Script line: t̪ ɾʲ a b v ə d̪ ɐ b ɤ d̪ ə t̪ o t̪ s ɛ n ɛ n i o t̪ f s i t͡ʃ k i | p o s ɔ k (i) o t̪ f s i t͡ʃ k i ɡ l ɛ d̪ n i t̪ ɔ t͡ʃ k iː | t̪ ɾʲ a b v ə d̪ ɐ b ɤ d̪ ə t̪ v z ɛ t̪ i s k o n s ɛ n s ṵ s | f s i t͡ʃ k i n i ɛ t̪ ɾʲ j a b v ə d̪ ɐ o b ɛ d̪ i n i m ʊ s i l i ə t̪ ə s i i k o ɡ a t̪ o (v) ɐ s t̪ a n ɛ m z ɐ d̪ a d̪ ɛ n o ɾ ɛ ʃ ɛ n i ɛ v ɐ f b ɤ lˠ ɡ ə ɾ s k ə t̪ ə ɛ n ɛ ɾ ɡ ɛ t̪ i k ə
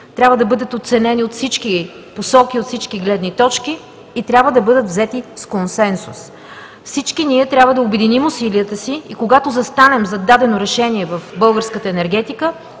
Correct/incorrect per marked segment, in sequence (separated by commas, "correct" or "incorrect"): correct, incorrect